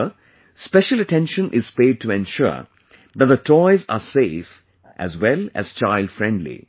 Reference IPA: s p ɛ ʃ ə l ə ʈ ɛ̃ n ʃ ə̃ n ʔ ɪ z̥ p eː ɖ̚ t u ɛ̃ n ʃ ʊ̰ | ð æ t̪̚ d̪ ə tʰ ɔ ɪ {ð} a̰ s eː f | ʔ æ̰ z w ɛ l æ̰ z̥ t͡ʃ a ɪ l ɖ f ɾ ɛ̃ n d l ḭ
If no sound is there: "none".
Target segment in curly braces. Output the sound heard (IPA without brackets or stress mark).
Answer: z